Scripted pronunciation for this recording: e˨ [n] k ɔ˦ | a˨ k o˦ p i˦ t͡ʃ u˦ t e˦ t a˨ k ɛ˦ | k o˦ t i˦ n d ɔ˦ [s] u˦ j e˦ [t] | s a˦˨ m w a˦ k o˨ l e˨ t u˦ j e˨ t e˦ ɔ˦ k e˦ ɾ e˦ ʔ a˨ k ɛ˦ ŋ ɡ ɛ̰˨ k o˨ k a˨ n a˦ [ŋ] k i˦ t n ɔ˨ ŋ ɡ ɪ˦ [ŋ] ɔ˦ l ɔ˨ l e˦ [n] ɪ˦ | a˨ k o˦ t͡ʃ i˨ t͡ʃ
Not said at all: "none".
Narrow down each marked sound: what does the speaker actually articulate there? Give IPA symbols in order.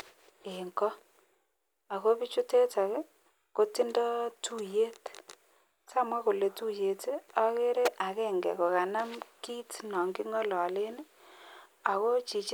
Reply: ŋ, t, t, m, ŋ, n

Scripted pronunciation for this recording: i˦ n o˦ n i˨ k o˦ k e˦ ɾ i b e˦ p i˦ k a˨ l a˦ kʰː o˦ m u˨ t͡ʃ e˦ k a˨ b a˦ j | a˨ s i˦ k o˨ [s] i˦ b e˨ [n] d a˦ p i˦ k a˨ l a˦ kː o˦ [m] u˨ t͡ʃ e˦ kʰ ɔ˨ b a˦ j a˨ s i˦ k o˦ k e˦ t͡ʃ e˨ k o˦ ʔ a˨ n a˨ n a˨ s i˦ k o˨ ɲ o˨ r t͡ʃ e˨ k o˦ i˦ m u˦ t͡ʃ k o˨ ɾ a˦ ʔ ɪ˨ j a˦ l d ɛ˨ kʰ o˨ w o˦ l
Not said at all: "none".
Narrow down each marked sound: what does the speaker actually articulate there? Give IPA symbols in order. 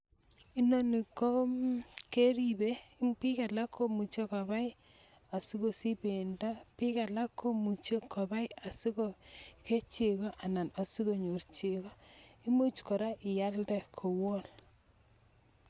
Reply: s, n, m

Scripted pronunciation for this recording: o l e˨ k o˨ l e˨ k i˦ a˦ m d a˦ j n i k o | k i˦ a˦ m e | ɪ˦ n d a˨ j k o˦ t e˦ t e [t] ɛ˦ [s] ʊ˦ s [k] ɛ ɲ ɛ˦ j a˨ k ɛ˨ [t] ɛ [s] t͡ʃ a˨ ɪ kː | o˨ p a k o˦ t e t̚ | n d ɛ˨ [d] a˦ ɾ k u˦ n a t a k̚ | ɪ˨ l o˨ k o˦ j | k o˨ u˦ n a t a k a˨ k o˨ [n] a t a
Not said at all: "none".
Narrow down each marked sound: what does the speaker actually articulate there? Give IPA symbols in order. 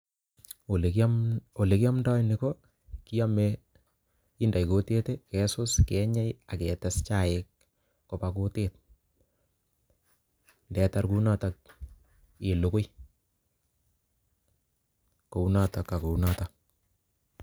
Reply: k, s, k, t, s, t, n

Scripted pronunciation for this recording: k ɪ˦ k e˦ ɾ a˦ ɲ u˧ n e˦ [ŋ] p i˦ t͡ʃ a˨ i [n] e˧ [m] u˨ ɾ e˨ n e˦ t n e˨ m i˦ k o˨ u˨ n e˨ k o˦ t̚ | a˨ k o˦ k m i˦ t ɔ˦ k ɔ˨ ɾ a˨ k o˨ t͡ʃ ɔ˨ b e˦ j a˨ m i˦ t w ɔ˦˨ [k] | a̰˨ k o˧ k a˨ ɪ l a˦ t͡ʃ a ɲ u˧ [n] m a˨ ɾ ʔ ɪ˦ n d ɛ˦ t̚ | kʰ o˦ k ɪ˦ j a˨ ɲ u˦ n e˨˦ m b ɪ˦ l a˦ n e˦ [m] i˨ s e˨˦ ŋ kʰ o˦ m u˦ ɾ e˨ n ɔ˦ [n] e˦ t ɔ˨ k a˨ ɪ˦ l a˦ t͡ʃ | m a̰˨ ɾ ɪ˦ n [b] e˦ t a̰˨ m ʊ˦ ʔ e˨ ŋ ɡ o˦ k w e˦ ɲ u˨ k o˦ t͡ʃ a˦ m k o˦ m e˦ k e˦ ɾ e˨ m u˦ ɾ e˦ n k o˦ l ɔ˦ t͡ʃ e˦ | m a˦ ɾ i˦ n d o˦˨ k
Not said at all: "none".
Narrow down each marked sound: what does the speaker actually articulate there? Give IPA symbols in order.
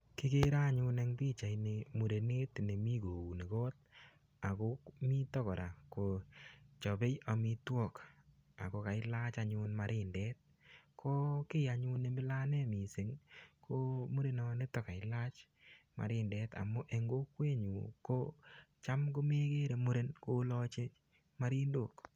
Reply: ŋ, n, m, k, n, m, n, d

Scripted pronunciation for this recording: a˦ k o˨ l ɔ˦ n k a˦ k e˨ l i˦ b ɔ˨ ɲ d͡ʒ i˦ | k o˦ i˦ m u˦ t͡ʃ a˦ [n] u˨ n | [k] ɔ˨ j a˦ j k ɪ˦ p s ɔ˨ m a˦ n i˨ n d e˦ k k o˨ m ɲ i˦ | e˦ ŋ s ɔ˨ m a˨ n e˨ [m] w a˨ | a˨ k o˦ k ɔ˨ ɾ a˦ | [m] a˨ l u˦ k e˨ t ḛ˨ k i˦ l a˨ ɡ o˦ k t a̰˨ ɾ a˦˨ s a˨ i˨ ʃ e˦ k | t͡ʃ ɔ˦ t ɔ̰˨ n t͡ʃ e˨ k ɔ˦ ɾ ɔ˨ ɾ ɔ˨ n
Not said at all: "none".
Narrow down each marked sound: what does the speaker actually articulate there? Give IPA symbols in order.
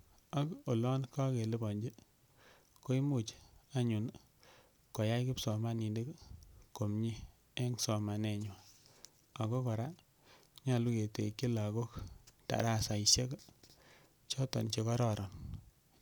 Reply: ɲ, k, ɲ, ɲ

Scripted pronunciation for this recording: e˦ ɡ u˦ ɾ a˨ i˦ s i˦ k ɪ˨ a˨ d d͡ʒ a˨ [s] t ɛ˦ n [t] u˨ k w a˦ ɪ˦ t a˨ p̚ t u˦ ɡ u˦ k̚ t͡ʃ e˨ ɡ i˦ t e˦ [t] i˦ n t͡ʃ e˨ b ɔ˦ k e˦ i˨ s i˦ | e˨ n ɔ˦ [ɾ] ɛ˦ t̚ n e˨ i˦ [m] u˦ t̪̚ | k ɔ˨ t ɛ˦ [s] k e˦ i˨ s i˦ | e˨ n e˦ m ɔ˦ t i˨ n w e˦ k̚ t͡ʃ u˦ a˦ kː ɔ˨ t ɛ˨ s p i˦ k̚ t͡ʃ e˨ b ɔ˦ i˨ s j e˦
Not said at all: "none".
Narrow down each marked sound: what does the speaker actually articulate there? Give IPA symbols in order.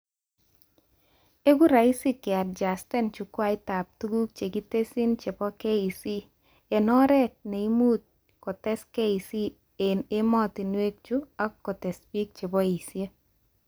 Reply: s, t͡ʃ, s, ɾ, m, s

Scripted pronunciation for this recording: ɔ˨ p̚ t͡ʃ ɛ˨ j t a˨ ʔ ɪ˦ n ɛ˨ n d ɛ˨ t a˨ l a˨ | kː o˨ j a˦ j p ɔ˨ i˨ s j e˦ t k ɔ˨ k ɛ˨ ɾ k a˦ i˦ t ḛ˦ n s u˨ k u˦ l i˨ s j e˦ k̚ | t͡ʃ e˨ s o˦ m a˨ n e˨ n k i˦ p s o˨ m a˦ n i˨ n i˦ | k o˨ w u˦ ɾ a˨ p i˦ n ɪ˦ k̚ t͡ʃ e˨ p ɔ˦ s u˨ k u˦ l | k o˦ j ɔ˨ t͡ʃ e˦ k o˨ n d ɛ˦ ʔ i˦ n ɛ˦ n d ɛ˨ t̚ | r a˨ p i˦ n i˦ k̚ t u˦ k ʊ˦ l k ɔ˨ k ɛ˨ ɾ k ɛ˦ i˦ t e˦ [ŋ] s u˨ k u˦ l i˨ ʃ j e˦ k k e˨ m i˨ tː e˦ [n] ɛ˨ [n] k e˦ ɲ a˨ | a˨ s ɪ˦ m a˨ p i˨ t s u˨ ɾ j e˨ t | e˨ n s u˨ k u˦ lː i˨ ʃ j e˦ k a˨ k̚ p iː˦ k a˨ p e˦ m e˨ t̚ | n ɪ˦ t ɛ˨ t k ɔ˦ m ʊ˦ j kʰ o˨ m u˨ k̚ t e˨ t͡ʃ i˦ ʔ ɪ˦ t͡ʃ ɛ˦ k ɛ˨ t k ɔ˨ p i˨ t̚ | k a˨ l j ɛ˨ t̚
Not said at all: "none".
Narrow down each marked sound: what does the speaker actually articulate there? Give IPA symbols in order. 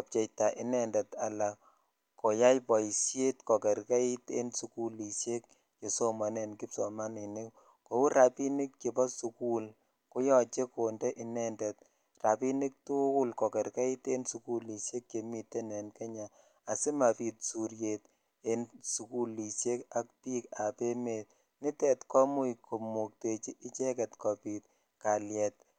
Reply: n, n, n

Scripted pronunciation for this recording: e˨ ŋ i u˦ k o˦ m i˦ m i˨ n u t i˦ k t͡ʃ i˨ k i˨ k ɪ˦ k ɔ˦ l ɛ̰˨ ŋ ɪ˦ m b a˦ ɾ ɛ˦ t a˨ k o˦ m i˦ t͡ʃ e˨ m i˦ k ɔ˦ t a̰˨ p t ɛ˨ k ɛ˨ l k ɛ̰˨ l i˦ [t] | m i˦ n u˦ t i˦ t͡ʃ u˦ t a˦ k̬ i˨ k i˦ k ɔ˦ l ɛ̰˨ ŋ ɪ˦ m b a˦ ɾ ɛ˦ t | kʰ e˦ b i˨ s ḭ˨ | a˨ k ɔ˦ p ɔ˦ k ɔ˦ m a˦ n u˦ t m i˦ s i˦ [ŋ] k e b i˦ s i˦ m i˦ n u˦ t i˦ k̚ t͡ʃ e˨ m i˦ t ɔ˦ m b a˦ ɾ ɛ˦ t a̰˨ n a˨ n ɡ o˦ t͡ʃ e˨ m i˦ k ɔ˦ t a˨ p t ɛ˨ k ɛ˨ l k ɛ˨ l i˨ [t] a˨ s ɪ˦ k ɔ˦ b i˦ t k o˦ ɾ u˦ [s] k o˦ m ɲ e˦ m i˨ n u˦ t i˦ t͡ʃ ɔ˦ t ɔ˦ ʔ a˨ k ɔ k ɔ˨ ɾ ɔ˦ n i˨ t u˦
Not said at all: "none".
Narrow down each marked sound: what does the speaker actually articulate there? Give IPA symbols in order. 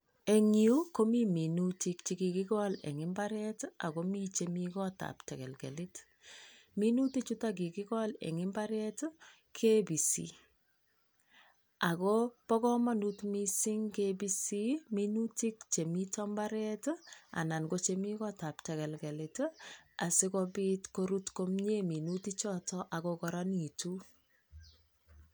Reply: t, ŋ, t, t

